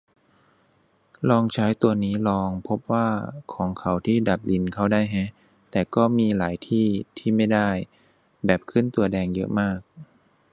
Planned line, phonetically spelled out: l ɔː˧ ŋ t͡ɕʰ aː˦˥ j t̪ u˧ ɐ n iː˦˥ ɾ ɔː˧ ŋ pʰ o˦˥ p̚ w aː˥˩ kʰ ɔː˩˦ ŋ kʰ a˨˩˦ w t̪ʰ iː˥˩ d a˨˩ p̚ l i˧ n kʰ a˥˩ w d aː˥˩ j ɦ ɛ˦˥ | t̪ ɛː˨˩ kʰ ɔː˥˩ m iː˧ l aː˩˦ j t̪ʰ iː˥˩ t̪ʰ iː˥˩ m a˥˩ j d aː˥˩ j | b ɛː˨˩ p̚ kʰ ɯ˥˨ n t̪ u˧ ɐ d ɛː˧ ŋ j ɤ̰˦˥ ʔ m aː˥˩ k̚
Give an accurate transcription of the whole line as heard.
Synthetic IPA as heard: l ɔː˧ ŋ t͡ɕʰ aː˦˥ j t̪ u˧ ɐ n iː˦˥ l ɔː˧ ŋ pʰ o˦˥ p̚ w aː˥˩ kʰ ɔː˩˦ ŋ kʰ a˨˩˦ w t̪ʰ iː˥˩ d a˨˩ p̚ l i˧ n kʰ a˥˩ w d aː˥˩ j ɦ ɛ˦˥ | t̪ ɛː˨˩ k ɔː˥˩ m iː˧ l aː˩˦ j t̪ʰ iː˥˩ t̪ʰ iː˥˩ m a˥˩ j d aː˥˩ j | b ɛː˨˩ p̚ kʰ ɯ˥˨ n t̪ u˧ ɐ d ɛː˧ ŋ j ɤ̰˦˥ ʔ m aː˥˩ k̚

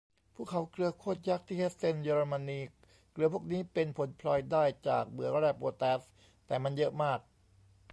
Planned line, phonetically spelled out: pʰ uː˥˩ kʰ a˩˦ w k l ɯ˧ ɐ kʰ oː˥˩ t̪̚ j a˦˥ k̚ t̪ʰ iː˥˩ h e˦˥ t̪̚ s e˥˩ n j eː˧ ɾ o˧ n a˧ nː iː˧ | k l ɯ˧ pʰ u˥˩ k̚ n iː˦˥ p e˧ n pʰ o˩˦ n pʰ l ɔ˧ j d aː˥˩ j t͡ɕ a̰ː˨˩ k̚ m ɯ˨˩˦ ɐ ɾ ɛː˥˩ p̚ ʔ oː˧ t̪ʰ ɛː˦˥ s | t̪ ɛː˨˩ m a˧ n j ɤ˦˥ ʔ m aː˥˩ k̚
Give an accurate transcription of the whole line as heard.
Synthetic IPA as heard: pʰ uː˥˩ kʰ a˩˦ w k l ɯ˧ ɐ kʰ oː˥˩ t̪̚ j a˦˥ k̚ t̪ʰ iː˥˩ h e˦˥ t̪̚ s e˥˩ n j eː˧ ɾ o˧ m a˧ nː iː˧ | k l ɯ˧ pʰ u˥˩ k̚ n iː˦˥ p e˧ n pʰ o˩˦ n pʰ l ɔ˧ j d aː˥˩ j t͡ɕ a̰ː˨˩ k̚ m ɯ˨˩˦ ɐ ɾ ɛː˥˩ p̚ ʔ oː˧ t̪ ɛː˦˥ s | t̪ ɛː˨˩ m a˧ n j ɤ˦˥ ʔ m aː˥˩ k̚

